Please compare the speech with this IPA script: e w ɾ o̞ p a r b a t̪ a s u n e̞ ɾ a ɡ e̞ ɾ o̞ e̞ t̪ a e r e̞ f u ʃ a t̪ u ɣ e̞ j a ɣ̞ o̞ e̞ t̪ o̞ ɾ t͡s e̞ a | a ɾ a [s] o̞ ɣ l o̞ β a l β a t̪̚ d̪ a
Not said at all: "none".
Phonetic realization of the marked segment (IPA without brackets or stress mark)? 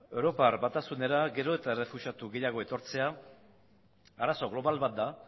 s